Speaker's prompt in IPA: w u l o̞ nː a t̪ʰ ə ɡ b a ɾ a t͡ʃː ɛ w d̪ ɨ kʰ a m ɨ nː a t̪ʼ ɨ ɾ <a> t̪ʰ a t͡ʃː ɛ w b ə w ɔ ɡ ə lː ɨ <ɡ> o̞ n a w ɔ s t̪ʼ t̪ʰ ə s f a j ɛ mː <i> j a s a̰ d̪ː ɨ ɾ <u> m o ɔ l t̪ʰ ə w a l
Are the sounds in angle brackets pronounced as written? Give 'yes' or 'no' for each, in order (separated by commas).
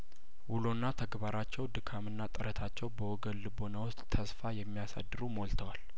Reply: no, no, yes, yes